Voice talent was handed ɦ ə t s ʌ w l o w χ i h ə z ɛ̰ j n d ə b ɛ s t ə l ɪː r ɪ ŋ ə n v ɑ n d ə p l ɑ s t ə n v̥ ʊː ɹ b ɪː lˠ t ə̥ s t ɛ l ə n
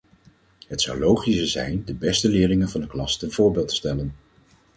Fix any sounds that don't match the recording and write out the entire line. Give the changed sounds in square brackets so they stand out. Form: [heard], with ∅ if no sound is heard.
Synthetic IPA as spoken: ɦ ə t s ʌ w l o w χ i [s] ə z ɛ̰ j n d ə b ɛ s t ə l ɪː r ɪ ŋ ə n v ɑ n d ə [k] l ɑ s t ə n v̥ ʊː ɹ b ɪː lˠ t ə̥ s t ɛ l ə n